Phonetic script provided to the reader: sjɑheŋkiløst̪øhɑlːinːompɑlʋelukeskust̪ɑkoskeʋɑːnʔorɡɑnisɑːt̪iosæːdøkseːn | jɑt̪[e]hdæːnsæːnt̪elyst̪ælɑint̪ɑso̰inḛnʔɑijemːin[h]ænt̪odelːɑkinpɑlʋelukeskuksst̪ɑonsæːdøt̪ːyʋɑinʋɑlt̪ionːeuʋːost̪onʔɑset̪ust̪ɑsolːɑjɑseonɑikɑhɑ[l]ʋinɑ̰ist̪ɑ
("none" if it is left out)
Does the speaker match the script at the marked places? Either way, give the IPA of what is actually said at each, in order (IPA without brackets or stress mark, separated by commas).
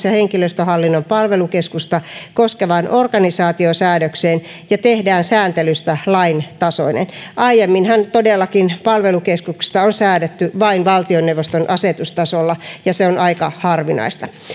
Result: e, h, r